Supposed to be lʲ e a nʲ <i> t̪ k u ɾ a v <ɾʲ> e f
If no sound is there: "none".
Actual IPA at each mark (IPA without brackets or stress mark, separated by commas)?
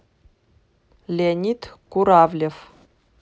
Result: i, lʲ